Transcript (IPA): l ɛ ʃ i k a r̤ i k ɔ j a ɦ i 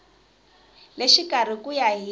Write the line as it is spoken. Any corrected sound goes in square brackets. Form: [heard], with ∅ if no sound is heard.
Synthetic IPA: l [e] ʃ i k a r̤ i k [u] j a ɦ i